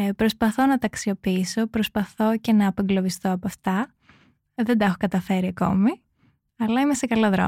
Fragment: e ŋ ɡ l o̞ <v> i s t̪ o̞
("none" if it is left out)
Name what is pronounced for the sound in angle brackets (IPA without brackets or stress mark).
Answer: v